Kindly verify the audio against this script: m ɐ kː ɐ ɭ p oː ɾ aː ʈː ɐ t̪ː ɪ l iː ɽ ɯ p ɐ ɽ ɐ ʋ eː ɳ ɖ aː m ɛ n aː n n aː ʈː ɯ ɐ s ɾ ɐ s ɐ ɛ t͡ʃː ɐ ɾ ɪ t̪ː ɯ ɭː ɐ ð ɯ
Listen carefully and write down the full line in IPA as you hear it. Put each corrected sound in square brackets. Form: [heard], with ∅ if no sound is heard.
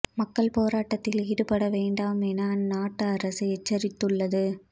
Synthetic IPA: m ɐ kː ɐ ɭ p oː ɾ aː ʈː ɐ t̪ː ɪ l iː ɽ ɯ p ɐ ɽ ɐ ʋ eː ɳ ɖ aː m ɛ n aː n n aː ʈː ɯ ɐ [∅] ɾ ɐ s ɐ ɛ t͡ʃː ɐ ɾ ɪ t̪ː ɯ ɭː ɐ ð ɯ

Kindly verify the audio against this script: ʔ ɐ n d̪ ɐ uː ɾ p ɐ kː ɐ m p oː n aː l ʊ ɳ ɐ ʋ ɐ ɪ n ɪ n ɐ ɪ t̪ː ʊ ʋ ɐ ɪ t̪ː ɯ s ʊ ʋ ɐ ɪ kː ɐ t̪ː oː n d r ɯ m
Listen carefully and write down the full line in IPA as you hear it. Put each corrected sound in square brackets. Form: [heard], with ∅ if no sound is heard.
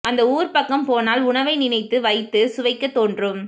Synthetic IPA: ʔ ɐ n d̪ ɐ uː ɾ p ɐ kː ɐ m p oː n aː l ʊ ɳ ɐ ʋ ɐ ɪ n ɪ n ɐ ɪ t̪ː [ɯ] ʋ ɐ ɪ t̪ː ɯ s ʊ ʋ ɐ ɪ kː ɐ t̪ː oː n d r ɯ m

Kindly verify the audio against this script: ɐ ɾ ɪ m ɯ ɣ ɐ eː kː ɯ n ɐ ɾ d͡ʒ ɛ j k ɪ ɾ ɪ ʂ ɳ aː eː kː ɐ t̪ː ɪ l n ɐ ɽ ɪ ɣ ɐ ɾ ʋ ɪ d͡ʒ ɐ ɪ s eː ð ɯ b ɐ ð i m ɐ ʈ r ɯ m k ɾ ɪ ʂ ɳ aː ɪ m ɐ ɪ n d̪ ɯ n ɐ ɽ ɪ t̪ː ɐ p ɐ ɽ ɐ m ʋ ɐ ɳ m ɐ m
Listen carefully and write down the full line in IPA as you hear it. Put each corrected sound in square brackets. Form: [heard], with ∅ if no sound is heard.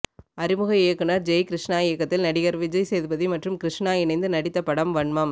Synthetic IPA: ɐ ɾ ɪ m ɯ ɣ ɐ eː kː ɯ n ɐ ɾ d͡ʒ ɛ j k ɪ ɾ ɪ ʂ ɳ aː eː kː ɐ t̪ː ɪ l n ɐ ɽ ɪ ɣ ɐ ɾ ʋ ɪ d͡ʒ ɐ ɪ s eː ð ɯ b ɐ ð i m ɐ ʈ r ɯ m k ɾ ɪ ʂ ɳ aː ɪ [n] ɐ ɪ n d̪ ɯ n ɐ ɽ ɪ t̪ː ɐ p ɐ ɽ ɐ m ʋ ɐ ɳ m ɐ m

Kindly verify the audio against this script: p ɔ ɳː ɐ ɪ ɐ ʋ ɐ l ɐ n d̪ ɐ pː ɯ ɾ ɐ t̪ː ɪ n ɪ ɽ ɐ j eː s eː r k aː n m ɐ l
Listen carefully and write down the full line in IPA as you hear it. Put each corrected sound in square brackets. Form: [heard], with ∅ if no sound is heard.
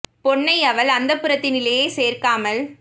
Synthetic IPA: p ɔ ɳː ɐ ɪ ɐ ʋ ɐ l ɐ n d̪ ɐ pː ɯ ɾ ɐ t̪ː ɪ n ɪ [l] ɐ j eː s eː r k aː [∅] m ɐ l

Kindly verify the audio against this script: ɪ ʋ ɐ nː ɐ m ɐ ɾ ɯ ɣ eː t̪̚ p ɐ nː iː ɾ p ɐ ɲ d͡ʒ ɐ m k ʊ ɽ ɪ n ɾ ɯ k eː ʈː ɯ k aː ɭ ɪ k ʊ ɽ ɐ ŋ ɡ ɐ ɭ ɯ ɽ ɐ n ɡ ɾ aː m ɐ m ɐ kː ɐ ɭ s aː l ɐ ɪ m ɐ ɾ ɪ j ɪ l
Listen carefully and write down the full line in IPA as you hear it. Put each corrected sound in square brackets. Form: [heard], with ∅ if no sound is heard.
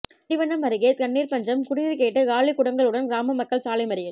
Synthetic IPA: ɪ ʋ ɐ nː ɐ m ɐ ɾ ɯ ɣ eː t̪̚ [k] ɐ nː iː ɾ p ɐ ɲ d͡ʒ ɐ m k ʊ ɽ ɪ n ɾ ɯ k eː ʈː ɯ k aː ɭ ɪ k ʊ ɽ ɐ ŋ ɡ ɐ ɭ ɯ ɽ ɐ n ɡ ɾ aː m ɐ m ɐ kː ɐ ɭ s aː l ɐ ɪ m ɐ ɾ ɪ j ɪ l

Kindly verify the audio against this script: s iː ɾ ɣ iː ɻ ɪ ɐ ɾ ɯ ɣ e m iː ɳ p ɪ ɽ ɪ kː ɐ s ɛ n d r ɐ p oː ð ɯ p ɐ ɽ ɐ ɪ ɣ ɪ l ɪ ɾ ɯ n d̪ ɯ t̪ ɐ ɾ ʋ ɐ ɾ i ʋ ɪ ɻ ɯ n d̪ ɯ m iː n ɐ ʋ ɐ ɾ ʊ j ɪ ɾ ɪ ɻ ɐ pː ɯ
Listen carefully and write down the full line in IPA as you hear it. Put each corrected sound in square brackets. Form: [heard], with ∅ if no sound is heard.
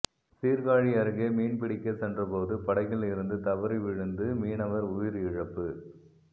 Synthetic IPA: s iː ɾ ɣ [aː] ɻ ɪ ɐ ɾ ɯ ɣ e m iː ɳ p ɪ ɽ ɪ kː ɐ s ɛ n d r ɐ p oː ð ɯ p ɐ ɽ ɐ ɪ ɣ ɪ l ɪ ɾ ɯ n d̪ ɯ t̪ ɐ [∅] ʋ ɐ ɾ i ʋ ɪ ɻ ɯ n d̪ ɯ m iː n ɐ ʋ ɐ ɾ ʊ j ɪ ɾ ɪ ɻ ɐ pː ɯ

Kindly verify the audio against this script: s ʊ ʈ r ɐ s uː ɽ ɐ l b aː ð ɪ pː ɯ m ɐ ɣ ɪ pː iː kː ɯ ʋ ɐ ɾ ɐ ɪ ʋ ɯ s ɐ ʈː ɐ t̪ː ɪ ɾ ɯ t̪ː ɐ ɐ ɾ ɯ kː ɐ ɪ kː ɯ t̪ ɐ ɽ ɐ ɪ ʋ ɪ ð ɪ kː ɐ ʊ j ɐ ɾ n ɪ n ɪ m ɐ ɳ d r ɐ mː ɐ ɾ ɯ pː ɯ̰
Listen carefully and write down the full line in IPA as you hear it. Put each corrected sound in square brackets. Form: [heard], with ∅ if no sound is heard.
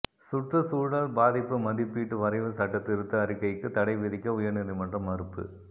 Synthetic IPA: s ʊ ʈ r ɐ s uː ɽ ɐ l b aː ð ɪ pː ɯ m ɐ [ð] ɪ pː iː [ʈː] ɯ ʋ ɐ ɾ ɐ ɪ ʋ ɯ s ɐ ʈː ɐ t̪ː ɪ ɾ ɯ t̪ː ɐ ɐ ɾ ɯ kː ɐ ɪ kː ɯ t̪ ɐ ɽ ɐ ɪ ʋ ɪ ð ɪ kː ɐ ʊ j ɐ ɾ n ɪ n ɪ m ɐ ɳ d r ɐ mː ɐ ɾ ɯ pː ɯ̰

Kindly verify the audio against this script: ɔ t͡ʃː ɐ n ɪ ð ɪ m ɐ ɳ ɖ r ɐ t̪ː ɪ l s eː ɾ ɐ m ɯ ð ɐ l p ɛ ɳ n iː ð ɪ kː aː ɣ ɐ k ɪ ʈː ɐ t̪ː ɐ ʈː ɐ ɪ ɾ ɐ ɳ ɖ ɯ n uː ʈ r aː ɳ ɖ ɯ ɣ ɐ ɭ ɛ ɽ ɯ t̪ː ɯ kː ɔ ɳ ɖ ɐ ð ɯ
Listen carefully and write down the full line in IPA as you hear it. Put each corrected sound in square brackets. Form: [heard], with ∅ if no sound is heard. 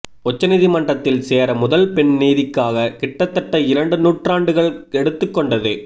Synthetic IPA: ɔ t͡ʃː ɐ n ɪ ð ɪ m ɐ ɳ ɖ r ɐ t̪ː ɪ l s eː ɾ ɐ m [ʊ] ð ɐ l p ɛ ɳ n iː ð ɪ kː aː ɣ ɐ k ɪ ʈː ɐ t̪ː ɐ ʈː ɐ ɪ ɾ ɐ ɳ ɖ ɯ n uː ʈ r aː ɳ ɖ ɯ ɣ ɐ ɭ ɛ ɽ ɯ t̪ː ɯ kː ɔ ɳ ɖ ɐ ð ɯ

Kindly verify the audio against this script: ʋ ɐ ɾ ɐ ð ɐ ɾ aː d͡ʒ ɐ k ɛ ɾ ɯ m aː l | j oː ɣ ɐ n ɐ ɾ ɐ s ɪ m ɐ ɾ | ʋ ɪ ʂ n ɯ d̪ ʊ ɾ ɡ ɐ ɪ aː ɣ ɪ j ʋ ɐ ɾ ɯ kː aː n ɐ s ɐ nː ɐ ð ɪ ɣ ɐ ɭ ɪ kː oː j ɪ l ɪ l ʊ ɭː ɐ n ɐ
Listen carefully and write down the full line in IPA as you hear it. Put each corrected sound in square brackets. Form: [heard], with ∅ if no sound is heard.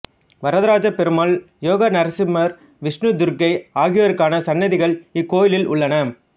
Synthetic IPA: ʋ ɐ ɾ ɐ ð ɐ ɾ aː d͡ʒ ɐ [p] ɛ ɾ ɯ m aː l | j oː ɣ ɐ n ɐ ɾ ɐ s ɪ m ɐ ɾ | ʋ ɪ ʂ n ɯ d̪ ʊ ɾ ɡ ɐ ɪ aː ɣ ɪ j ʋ ɐ ɾ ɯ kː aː n ɐ s ɐ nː ɐ ð ɪ ɣ ɐ ɭ ɪ kː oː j ɪ l ɪ l ʊ ɭː ɐ n ɐ

